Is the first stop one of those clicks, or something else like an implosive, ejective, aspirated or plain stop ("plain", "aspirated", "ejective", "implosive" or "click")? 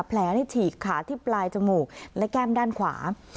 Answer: aspirated